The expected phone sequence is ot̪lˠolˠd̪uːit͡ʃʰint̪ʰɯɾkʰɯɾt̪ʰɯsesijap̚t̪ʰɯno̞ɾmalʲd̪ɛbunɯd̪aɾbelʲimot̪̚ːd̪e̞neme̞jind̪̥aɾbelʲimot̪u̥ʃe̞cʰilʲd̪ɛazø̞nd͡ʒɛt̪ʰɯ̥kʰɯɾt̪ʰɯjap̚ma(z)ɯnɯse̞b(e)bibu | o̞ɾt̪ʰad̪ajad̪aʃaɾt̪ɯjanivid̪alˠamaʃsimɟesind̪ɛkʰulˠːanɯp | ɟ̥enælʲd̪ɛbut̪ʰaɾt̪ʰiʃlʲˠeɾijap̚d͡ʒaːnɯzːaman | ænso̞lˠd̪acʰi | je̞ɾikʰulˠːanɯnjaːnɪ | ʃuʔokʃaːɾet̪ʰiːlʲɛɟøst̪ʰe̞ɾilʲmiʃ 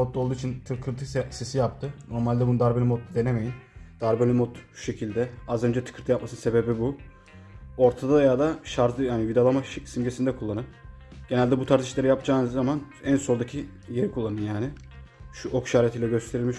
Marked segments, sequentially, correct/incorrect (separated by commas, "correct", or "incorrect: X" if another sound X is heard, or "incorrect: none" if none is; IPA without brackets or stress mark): incorrect: s, correct